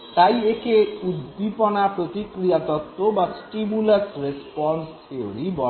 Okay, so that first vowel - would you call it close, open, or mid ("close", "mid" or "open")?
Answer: open